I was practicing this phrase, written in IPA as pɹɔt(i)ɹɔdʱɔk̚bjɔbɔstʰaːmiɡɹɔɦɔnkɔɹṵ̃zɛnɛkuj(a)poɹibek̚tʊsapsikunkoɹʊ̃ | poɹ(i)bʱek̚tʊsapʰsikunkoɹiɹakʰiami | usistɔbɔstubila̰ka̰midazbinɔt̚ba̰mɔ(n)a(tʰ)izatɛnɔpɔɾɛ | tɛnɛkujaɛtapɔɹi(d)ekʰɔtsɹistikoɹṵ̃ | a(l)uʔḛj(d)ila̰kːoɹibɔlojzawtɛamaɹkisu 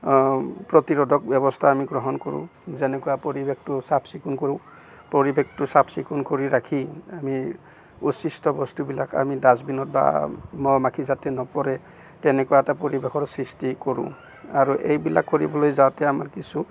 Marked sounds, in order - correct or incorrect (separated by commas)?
correct, correct, correct, incorrect, incorrect, incorrect, incorrect, incorrect